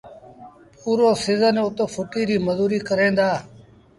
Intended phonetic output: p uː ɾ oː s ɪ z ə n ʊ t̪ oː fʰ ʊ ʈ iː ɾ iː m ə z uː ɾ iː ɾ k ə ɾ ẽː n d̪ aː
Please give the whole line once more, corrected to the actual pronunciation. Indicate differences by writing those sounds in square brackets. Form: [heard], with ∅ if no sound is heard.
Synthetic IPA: p uː ɾ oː s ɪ z ə n ʊ t̪ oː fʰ ʊ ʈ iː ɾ iː m ə z uː ɾ iː [∅] k ə ɾ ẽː n d̪ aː